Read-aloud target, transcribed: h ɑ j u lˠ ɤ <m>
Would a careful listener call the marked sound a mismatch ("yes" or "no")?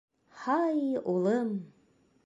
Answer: no